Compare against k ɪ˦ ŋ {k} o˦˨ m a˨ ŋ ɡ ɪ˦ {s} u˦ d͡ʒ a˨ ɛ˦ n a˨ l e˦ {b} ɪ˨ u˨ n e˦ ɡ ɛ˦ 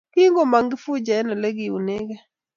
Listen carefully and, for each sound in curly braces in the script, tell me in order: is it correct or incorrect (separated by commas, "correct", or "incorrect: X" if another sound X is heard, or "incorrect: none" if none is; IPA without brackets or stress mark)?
incorrect: ɡ, incorrect: f, incorrect: ɡ